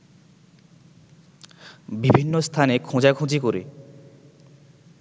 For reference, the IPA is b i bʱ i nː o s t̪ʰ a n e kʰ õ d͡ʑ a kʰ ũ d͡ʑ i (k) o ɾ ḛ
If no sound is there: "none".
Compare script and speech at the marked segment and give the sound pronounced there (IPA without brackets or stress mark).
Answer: k